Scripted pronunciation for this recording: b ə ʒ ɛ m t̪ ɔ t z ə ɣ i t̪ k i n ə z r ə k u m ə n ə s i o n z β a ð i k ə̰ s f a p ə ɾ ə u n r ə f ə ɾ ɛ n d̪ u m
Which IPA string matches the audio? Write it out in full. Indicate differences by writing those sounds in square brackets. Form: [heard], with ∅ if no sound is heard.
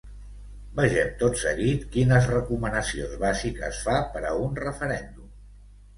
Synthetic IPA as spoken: b ə ʒ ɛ m t̪ [o] t [s] ə ɣ i t̪ k i n ə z r ə k u m ə n ə s i o n z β a [z] i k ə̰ s f a p ə ɾ ə u n r ə f ə ɾ ɛ n d̪ u m